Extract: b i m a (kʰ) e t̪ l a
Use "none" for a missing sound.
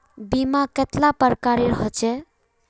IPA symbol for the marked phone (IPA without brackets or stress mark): k